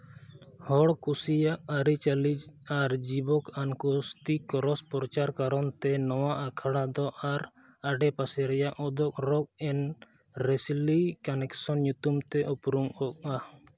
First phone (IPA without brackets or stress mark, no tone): h